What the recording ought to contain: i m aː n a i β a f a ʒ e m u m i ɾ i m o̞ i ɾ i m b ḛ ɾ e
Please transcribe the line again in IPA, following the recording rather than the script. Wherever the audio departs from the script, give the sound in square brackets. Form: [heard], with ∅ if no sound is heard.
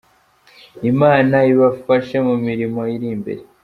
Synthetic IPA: i m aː n a i β a f a [ʃ] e m u m i ɾ i m o̞ i ɾ i m b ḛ ɾ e